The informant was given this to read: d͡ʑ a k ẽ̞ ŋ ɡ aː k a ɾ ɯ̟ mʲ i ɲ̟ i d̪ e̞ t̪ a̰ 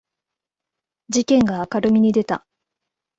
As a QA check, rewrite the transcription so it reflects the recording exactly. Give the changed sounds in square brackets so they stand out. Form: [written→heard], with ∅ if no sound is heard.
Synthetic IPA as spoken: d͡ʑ [a→i] k ẽ̞ ŋ ɡ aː k a ɾ ɯ̟ mʲ i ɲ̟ i d̪ e̞ t̪ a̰